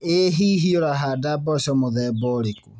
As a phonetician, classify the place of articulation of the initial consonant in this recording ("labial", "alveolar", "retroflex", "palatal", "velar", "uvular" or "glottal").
glottal